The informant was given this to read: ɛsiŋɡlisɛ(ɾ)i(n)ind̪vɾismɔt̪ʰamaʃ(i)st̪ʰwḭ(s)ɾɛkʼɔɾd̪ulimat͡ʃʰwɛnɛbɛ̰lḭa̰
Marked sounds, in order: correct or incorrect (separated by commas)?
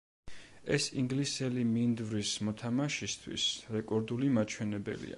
incorrect, incorrect, correct, correct